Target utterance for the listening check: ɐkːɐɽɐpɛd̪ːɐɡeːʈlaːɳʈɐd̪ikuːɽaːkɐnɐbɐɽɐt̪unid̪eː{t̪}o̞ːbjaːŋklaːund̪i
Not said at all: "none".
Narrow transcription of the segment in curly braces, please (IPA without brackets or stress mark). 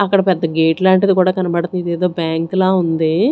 d̪